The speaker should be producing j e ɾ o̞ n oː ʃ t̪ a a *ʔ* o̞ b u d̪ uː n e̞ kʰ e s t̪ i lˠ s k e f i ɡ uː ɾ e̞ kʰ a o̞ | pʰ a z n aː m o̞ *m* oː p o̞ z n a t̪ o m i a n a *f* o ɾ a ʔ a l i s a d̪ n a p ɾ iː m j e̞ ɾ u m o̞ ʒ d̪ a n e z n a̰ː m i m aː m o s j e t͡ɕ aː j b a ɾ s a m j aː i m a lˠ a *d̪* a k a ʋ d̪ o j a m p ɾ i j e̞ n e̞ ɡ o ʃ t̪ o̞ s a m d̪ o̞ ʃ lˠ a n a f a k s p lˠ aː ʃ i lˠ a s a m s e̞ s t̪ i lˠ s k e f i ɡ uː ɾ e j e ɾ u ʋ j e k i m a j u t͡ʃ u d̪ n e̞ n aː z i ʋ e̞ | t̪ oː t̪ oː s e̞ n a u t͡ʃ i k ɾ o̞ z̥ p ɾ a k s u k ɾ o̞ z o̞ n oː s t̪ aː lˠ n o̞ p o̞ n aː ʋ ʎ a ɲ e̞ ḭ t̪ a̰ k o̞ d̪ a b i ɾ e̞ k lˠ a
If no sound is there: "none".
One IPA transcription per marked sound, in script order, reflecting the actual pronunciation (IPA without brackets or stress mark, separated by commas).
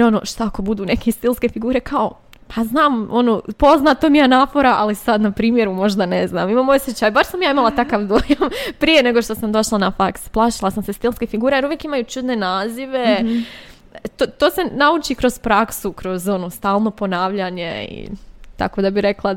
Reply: k, n, f, t̪